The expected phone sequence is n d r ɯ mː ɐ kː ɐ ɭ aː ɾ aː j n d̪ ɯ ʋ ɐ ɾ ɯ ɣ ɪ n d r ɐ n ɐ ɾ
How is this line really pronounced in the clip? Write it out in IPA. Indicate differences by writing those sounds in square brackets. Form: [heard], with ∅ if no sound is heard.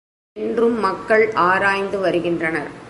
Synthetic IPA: n d r ɯ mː ɐ kː ɐ ɭ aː ɾ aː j n d̪ ɯ ʋ ɐ ɾ ɯ ɣ ɪ n d r ɐ n ɐ ɾ